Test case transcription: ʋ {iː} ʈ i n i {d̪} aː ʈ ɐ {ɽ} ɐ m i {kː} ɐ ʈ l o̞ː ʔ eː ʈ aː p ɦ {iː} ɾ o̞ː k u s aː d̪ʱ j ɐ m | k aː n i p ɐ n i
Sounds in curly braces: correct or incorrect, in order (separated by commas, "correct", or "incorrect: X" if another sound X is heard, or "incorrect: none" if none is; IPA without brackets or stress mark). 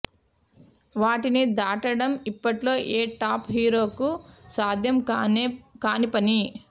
incorrect: aː, correct, correct, incorrect: pː, correct